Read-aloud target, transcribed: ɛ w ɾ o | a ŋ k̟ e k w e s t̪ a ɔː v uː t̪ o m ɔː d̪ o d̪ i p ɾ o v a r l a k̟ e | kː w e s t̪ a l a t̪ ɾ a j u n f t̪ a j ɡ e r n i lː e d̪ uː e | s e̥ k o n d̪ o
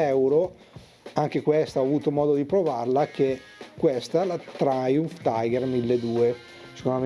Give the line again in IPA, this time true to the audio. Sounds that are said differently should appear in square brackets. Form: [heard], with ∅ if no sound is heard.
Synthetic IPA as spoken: ɛ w ɾ o | a ŋ k̟ e k w e s t̪ a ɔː v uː t̪ o m ɔː d̪ o d̪ i p ɾ o v a r l a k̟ e | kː w e s t̪ a l a t̪ ɾ a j u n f t̪ a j ɡ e r [m] i lː e d̪ uː e | s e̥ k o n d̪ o